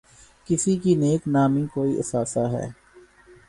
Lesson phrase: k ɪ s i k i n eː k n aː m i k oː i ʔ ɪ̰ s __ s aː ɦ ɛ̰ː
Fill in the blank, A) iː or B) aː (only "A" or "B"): B